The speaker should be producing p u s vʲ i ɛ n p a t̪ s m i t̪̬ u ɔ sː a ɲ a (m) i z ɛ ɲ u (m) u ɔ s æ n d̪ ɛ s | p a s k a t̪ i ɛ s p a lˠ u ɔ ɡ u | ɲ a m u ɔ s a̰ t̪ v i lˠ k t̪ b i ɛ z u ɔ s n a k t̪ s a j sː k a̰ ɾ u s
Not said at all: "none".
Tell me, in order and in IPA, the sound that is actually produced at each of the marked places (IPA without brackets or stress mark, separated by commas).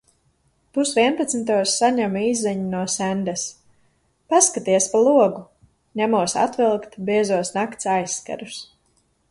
m, n